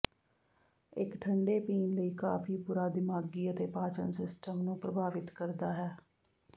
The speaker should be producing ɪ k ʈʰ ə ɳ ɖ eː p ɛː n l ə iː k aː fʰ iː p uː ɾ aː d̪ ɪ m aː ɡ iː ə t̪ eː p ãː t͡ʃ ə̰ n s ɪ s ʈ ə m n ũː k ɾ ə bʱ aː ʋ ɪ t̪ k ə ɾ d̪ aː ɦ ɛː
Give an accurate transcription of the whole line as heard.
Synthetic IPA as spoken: ɪ k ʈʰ ə ɳ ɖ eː p iː n l ə iː k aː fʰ iː p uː ɾ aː d̪ ɪ m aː ɡ iː ə t̪ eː p aː t͡ʃ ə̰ n s ɪ s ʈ ə m n ũː p ɾ ə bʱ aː ʋ ɪ t̪ k ə ɾ d̪ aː ɦ ɛː